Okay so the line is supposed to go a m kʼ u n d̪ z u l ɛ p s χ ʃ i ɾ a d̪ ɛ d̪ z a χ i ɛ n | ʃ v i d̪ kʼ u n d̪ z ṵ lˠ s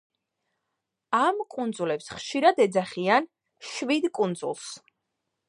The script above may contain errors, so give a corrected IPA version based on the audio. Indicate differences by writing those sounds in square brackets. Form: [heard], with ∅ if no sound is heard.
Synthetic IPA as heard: a m kʼ u n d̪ z u l ɛ p s χ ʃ i ɾ a d̪ ɛ d̪ z a χ i [a] n | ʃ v i d̪ kʼ u n d̪ z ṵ lˠ s